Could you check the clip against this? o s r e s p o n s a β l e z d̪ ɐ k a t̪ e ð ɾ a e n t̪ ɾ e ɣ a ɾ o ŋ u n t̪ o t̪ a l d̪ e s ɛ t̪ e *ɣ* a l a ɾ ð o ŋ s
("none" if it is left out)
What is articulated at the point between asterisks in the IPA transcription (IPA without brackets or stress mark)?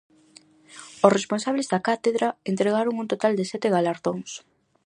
ɣ